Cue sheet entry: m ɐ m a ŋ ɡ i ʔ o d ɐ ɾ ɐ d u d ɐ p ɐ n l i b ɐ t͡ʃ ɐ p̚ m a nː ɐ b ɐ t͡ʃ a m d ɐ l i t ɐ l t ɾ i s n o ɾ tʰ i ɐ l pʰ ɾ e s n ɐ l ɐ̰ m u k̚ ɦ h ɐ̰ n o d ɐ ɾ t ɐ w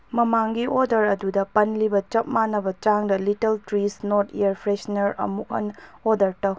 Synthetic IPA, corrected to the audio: m ɐ m a ŋ ɡ i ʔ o d ɐ ɾ ɐ d u d ɐ p ɐ n l i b ɐ t͡ʃ ɐ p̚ m a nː ɐ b ɐ t͡ʃ a ŋ d ɐ l i t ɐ l t ɾ i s n o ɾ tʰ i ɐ ɾ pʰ ɾ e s n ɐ ɾ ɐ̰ m u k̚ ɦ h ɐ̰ n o d ɐ ɾ t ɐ w